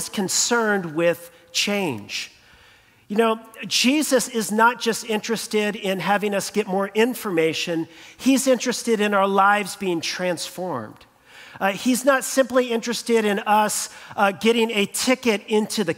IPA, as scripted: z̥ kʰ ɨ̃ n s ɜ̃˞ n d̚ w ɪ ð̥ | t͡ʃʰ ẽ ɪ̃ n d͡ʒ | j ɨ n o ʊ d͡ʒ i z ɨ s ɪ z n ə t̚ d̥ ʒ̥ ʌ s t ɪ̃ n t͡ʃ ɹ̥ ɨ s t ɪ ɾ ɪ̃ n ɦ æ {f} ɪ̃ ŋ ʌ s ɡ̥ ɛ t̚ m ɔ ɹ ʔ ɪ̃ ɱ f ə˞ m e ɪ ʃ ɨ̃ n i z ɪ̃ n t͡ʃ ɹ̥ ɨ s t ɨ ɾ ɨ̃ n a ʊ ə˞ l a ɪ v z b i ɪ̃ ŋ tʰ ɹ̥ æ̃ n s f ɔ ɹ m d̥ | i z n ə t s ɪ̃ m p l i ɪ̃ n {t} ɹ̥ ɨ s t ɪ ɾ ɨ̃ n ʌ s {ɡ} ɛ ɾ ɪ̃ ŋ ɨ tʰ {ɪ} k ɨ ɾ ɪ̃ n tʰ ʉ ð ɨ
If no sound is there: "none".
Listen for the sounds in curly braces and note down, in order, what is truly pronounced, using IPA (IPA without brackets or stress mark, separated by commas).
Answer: v, t͡ʃ, ɡ, ɪ